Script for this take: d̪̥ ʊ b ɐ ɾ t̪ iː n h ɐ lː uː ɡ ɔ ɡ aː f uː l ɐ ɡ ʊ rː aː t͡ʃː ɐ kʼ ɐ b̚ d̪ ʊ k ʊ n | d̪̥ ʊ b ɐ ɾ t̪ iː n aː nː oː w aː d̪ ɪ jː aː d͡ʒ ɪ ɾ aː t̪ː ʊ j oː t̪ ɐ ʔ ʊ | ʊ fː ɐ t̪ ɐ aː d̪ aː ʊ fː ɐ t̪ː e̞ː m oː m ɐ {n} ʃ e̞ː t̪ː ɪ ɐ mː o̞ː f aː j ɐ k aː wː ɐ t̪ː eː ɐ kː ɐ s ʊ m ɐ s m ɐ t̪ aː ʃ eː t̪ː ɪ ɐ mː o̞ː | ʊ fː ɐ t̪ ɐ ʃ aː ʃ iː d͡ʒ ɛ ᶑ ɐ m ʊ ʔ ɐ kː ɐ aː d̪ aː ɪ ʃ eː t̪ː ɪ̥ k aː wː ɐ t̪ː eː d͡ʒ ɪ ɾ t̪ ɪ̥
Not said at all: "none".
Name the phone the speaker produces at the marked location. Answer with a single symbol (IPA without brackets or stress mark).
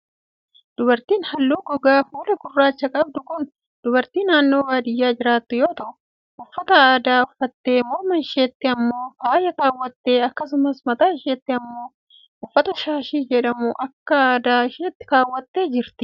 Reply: n